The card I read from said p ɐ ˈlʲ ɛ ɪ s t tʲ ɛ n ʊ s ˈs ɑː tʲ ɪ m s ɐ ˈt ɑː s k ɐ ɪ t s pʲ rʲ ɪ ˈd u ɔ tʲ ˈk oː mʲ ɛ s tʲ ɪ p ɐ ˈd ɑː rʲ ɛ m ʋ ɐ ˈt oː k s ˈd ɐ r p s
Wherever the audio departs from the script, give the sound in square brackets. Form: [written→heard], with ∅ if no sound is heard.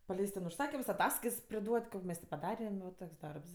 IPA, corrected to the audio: p ɐ ˈlʲ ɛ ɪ s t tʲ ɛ n ʊ [s→ʃ] ˈs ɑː [tʲ→kʲ] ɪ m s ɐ ˈt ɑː s k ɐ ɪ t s pʲ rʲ ɪ ˈd u ɔ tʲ ˈk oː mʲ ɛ s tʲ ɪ p ɐ ˈd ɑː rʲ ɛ m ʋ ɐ ˈt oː k s ˈd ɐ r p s